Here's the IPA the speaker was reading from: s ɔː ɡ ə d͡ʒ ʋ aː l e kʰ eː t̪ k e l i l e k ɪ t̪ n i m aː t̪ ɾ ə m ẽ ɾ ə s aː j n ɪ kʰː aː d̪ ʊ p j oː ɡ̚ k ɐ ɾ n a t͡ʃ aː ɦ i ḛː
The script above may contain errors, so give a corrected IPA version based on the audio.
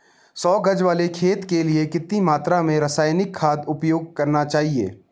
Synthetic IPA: s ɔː ɡ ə d͡ʒ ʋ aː l e kʰ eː t̪ k e l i e k ɪ t̪ n i m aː t̪ ɾ a m ẽ ɾ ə s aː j n ɪ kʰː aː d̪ ʊ p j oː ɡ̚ k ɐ ɾ n a t͡ʃ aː ɦ i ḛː